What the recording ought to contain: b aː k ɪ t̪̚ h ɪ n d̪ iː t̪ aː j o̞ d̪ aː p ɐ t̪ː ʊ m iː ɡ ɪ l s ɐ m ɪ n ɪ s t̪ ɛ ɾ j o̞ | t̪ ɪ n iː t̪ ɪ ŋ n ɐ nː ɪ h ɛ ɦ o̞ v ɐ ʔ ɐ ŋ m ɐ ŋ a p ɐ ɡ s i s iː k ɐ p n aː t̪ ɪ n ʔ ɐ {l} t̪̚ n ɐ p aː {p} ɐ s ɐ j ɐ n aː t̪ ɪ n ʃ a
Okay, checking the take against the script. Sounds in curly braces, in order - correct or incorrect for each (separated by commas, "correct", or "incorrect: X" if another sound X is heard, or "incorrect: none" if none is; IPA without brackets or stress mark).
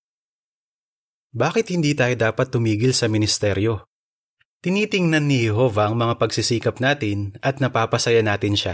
incorrect: none, correct